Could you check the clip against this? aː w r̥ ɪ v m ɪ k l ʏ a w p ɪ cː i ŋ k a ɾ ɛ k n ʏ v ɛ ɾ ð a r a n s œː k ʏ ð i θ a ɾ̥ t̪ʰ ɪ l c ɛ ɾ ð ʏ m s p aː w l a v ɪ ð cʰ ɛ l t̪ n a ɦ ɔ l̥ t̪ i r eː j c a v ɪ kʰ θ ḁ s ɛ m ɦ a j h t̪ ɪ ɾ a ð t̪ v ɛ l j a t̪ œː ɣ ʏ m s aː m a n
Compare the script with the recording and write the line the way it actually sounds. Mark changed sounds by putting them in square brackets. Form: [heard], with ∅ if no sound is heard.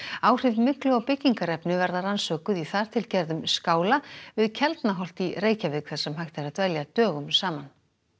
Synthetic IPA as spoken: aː w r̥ ɪ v m ɪ k l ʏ a w p ɪ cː i ŋ k a ɾ ɛ [p] n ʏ v ɛ ɾ ð a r a n s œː k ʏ ð i θ a ɾ̥ t̪ʰ ɪ l c ɛ ɾ ð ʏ m s [k] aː w l a v ɪ ð cʰ ɛ l t̪ n a ɦ ɔ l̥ t̪ i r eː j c a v ɪ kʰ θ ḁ s ɛ m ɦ a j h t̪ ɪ ɾ a ð t̪ v ɛ l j a t̪ œː ɣ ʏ m s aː m a n